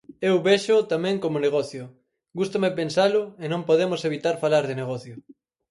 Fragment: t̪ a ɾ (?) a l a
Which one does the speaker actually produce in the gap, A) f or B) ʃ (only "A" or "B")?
A